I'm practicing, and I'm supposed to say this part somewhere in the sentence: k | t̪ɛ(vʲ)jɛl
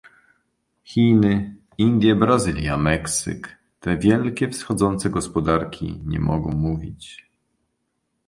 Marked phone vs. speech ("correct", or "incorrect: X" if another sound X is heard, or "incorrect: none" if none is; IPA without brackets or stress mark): correct